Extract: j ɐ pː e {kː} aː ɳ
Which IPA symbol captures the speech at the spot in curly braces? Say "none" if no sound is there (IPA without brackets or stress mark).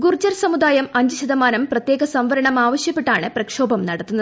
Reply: ʈː